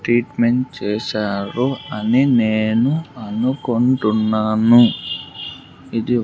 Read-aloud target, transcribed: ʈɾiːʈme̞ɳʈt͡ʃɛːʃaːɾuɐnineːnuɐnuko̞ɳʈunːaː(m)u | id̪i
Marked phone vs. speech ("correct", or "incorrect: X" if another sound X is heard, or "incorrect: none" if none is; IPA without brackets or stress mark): incorrect: n